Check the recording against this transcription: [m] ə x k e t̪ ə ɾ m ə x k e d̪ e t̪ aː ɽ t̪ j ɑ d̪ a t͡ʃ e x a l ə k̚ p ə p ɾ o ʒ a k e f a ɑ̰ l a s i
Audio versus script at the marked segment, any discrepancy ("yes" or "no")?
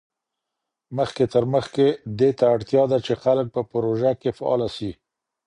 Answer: no